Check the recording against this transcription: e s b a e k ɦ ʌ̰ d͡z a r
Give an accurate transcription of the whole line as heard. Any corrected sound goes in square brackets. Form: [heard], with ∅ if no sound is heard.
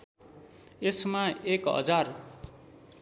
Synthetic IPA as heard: e s [m] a e k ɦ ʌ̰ d͡z a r